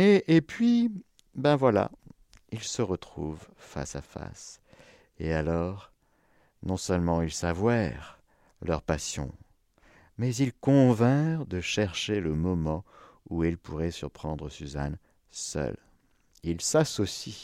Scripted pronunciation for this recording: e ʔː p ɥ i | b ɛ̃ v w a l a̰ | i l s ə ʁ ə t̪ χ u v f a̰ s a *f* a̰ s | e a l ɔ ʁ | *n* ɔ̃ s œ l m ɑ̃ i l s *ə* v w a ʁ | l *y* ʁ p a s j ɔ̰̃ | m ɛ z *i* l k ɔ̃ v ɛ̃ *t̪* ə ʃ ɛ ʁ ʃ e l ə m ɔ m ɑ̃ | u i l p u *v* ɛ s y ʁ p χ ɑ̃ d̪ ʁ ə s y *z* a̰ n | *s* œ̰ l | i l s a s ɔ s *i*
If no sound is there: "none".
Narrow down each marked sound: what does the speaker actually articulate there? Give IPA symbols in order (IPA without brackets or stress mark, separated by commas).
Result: f, n, a, œ, i, d̪, ʁ, z, s, i